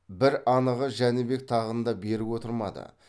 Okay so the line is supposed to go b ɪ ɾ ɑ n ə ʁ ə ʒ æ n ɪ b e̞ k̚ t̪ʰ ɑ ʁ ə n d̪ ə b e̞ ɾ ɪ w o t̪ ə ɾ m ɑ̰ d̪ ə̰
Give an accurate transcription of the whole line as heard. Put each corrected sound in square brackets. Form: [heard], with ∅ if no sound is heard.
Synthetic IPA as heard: b ɪ ɾ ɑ n ə ʁ ə ʒ æ n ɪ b e̞ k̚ t̪ʰ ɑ ʁ ə n d̪ [ɑ] b e̞ ɾ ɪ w o t̪ ə ɾ m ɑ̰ d̪ ə̰